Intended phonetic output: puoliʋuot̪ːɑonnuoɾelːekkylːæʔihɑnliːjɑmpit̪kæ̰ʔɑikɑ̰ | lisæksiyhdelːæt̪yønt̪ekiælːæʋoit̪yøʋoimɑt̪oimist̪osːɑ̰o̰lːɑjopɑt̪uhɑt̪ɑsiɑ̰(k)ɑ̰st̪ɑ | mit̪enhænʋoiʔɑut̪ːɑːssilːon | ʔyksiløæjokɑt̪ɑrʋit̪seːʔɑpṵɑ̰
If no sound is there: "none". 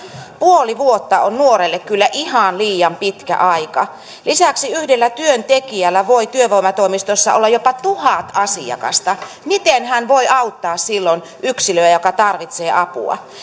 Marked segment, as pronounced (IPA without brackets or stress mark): k